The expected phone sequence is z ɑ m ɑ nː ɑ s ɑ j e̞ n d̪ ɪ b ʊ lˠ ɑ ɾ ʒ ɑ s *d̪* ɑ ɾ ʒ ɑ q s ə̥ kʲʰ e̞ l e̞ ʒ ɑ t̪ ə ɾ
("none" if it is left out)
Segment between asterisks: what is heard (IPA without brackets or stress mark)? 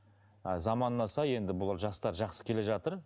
t̪